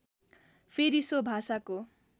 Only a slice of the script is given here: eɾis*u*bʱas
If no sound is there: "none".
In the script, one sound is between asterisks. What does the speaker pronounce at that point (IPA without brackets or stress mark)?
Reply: o